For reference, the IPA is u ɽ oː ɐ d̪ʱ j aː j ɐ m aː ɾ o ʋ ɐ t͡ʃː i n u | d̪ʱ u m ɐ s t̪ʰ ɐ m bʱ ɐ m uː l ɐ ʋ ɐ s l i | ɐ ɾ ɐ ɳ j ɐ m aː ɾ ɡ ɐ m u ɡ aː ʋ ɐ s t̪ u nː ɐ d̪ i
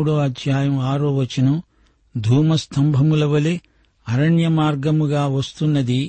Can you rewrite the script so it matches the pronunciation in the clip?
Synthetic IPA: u ɽ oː ɐ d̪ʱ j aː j ɐ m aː ɾ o ʋ ɐ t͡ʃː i n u | d̪ʱ uː m ɐ s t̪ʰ ɐ m bʱ ɐ m u l ɐ ʋ ɐ l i | ɐ ɾ ɐ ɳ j ɐ m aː ɾ ɡ ɐ m u ɡ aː ʋ ɐ s t̪ u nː ɐ d̪ i